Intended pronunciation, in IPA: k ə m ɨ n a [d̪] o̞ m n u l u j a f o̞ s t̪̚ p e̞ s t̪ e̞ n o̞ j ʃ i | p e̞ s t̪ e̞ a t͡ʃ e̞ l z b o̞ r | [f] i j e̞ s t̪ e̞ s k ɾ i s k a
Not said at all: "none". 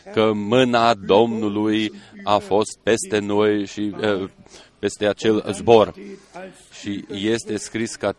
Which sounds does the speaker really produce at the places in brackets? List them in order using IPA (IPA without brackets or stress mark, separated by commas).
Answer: d̪, ʃ